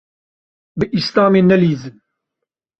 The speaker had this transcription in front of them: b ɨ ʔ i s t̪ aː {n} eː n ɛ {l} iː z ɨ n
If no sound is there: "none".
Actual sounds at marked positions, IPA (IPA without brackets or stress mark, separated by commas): m, l